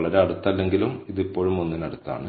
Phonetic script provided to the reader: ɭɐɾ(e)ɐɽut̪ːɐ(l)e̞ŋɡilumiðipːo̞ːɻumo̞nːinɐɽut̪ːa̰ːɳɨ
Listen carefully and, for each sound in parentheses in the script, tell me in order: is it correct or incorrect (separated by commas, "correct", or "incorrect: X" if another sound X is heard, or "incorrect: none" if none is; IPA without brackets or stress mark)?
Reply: correct, incorrect: lː